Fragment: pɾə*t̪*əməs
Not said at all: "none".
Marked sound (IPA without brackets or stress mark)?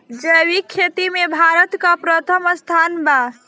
t̪ʰ